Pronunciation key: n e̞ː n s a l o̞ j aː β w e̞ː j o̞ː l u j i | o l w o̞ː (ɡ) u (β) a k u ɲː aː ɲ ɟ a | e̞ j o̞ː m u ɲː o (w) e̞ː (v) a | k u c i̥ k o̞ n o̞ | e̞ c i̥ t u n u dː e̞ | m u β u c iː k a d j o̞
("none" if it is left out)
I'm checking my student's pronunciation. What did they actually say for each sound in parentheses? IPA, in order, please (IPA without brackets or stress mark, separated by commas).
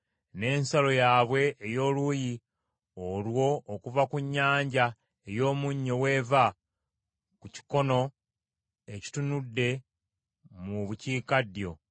k, v, w, v